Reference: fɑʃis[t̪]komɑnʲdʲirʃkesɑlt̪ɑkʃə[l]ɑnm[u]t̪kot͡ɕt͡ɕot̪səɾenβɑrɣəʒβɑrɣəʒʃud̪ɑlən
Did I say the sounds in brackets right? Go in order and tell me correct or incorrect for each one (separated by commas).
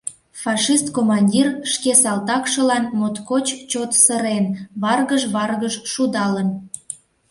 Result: correct, correct, incorrect